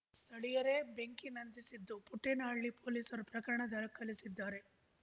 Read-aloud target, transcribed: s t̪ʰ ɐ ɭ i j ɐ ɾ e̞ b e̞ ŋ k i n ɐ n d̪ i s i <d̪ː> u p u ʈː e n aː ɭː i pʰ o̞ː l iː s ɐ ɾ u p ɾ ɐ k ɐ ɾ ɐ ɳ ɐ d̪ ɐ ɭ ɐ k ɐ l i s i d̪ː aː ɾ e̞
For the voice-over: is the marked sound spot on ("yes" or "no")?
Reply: yes